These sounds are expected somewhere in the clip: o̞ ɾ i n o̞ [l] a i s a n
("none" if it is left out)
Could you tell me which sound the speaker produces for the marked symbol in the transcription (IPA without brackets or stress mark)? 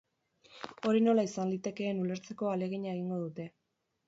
l